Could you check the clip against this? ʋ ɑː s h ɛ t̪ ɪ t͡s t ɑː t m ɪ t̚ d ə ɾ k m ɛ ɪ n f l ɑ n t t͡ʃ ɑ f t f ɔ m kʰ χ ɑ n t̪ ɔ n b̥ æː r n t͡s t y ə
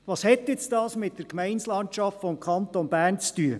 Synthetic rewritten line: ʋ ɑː s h ɛ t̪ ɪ t͡s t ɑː s m ɪ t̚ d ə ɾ k m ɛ ɪ n s l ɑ n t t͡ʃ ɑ f t f ɔ m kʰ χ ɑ n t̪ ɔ n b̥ æː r n t͡s t y ə